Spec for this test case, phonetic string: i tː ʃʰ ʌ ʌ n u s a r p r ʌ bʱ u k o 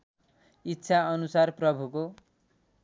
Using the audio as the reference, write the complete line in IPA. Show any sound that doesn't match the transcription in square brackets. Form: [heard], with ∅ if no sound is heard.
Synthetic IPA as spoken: i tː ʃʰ [a] ʌ n u s a r p r ʌ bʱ u k o

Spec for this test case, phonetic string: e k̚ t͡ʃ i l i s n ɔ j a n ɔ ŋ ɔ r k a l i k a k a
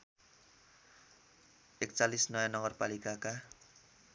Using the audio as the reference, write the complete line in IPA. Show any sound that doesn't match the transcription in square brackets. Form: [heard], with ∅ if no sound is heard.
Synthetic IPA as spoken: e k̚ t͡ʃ [a] l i s n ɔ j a n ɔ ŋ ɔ r [p] a l i k a k a

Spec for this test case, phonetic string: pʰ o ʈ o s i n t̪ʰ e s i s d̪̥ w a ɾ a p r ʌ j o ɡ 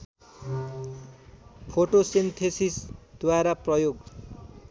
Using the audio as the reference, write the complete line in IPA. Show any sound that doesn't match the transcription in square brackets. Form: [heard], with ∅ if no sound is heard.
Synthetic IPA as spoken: pʰ o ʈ o s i n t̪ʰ e s i s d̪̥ w a ɾ a p r ʌ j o ɡ

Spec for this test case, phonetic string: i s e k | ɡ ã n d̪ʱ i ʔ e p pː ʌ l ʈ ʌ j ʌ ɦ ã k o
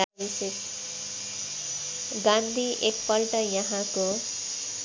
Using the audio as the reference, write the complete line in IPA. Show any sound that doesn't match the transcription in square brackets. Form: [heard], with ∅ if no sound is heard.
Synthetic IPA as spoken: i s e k | ɡ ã n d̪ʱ i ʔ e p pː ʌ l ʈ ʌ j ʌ ɦ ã k o

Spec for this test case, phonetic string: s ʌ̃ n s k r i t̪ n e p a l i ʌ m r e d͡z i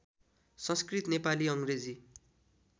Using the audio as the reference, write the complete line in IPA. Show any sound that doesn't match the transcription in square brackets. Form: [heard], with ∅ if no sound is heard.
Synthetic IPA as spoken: s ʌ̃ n s k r i t̪ n e p a l i ʌ [ŋ] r e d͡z i

